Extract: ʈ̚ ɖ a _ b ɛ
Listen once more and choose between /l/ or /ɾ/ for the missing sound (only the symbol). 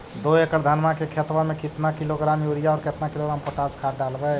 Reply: l